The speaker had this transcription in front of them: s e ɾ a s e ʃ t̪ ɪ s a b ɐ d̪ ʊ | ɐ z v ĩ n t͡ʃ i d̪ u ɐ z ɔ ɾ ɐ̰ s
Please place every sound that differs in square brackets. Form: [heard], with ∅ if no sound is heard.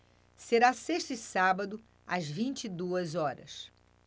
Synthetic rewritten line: s e ɾ a s e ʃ t̪ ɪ s a b ɐ d̪ ʊ | ɐ z v ĩ n t͡ʃ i d̪ u ɐ z ɔ ɾ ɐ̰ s

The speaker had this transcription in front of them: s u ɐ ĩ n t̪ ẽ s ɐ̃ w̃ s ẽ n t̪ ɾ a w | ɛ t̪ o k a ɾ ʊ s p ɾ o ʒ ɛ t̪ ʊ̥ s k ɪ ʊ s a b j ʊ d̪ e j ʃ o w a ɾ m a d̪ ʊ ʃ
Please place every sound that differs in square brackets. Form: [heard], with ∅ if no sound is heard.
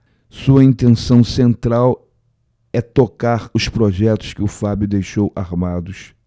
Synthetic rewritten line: s u ɐ ĩ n t̪ ẽ s ɐ̃ w̃ s ẽ n t̪ ɾ a w | ɛ t̪ o k a ɾ ʊ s p ɾ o ʒ ɛ t̪ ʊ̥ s k ɪ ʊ [f] a b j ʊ d̪ e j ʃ o w a ɾ m a d̪ ʊ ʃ

